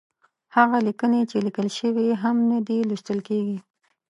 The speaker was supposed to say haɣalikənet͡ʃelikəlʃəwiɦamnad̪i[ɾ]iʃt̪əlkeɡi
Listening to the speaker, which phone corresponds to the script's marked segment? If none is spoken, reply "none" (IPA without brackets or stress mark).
l